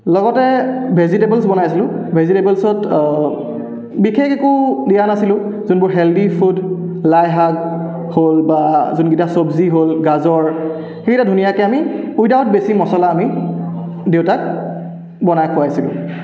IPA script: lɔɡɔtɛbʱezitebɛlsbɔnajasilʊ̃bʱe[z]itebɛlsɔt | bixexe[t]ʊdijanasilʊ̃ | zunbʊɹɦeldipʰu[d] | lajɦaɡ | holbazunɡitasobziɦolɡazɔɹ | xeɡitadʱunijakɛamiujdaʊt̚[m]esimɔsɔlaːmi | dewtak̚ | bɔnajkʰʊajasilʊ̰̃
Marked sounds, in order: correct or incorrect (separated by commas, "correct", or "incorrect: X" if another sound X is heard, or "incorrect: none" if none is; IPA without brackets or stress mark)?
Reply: correct, incorrect: k, correct, incorrect: b